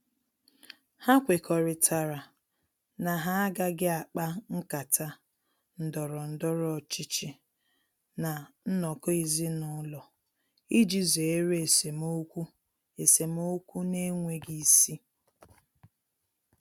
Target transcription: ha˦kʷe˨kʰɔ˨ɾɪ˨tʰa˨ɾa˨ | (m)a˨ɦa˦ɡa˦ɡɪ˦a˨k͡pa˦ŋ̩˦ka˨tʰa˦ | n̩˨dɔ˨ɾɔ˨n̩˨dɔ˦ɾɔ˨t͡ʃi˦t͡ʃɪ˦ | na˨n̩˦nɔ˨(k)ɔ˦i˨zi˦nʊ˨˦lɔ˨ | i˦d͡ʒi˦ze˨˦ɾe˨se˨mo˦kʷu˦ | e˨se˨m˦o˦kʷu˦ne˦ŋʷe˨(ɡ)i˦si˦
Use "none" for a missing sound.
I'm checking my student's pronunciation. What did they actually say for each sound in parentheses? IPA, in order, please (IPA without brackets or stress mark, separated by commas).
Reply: n, k, ɡ